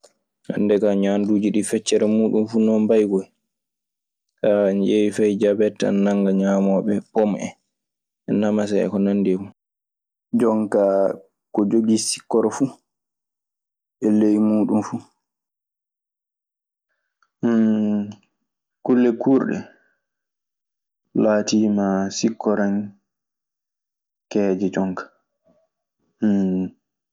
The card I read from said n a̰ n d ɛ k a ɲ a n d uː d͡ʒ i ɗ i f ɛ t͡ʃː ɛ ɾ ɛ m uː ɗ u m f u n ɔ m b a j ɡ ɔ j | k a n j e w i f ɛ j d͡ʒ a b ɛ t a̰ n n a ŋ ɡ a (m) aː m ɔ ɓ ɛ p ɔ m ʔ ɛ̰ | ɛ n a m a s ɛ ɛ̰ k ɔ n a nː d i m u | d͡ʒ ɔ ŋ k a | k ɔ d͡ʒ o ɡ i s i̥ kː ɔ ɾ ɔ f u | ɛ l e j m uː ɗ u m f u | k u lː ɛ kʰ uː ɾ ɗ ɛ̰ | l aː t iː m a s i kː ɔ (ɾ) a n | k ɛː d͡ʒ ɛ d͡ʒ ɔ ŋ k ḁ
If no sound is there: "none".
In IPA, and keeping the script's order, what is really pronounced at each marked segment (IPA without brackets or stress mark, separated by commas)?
ɲ, ɾ